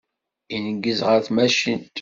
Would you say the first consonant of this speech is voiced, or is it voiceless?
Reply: voiced